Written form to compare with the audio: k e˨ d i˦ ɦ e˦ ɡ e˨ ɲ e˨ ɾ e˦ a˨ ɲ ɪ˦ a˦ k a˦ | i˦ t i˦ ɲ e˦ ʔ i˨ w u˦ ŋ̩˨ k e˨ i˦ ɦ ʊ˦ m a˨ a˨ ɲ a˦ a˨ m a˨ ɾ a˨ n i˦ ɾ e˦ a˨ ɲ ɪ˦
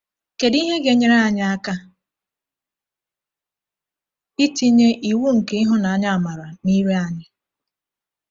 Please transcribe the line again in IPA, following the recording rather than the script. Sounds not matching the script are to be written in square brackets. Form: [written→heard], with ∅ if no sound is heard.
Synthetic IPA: k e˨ d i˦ ɦ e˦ ɡ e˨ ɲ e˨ ɾ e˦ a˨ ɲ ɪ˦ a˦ k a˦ | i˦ t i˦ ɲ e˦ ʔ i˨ w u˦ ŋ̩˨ k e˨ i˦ ɦ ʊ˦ [m→n] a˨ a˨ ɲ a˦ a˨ m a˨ ɾ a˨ n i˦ ɾ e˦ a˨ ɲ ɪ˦